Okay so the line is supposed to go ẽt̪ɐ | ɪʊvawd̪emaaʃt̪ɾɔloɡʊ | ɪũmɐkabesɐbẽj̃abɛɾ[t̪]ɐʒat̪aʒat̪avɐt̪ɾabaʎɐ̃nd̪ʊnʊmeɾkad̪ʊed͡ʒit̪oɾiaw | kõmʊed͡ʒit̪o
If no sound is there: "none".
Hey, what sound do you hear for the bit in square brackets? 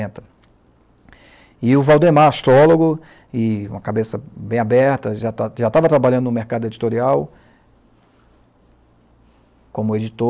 t̪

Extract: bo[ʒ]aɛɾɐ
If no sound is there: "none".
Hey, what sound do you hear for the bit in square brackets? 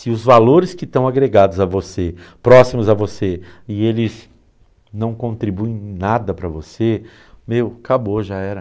ʒ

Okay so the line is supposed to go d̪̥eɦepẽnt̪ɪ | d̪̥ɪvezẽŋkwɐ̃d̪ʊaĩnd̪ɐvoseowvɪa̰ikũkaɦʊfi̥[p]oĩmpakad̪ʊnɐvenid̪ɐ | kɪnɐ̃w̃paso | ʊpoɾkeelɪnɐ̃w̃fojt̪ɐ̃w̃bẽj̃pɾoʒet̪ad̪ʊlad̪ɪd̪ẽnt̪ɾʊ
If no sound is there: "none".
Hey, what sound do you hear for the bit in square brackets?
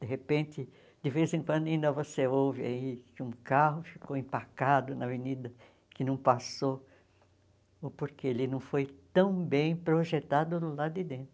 k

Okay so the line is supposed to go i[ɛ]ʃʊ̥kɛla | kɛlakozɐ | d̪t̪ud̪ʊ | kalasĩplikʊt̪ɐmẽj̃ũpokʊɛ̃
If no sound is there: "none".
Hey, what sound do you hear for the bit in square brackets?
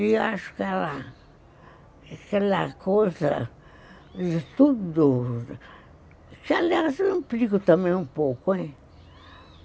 a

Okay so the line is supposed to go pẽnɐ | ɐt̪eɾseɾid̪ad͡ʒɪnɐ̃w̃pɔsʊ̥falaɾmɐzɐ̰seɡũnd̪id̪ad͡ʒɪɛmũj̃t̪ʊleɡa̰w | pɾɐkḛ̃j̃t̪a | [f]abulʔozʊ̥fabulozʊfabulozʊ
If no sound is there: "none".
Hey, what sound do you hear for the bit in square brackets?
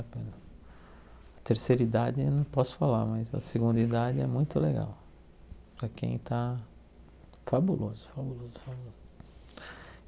f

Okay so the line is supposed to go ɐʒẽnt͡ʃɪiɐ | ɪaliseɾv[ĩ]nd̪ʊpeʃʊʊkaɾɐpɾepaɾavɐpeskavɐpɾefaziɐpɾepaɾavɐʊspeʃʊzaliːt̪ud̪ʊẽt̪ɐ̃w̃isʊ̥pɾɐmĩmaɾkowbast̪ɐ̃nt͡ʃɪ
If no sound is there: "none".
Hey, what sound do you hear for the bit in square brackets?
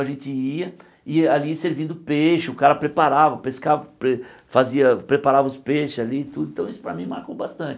ĩ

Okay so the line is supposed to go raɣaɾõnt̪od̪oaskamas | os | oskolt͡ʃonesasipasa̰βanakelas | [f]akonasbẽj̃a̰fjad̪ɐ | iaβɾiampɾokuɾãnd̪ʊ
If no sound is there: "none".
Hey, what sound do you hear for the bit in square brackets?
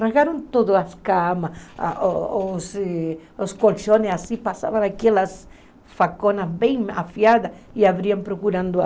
f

